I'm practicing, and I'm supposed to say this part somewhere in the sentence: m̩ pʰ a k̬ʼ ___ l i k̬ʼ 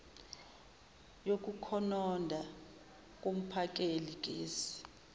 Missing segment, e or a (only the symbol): e